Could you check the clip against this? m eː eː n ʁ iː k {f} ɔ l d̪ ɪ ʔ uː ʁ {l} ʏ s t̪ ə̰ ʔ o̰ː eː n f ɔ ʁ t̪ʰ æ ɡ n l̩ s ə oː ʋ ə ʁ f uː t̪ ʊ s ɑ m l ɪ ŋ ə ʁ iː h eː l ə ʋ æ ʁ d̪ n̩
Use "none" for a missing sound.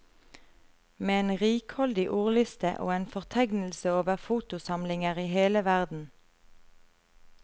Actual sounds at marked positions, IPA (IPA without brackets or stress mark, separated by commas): h, l